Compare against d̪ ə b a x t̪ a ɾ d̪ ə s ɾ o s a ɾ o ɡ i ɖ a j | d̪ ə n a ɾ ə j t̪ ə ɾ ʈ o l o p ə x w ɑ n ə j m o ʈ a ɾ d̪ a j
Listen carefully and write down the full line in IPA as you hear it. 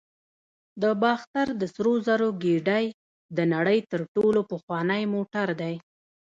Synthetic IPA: d̪ ə b ɑ x t̪ a ɾ d̪ ə s ɾ o z a ɾ o ɡ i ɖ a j | d̪ ə n a ɽ ə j t̪ ə ɾ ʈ o l o p ə x w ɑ n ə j m o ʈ a ɾ d̪ a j